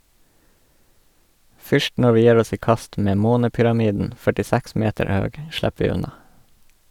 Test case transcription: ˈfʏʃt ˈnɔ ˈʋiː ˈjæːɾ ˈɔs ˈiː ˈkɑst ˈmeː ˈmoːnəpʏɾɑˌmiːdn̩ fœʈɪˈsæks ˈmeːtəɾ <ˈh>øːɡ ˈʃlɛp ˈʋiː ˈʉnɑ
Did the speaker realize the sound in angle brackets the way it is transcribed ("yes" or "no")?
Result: yes